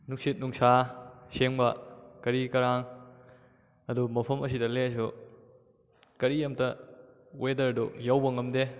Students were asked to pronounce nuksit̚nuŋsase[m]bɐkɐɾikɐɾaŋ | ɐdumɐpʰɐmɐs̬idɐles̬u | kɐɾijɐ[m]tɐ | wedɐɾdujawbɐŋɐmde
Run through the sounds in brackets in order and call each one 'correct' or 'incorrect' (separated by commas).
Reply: incorrect, correct